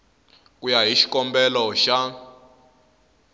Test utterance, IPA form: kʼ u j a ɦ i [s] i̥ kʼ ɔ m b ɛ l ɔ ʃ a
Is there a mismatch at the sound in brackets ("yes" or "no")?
yes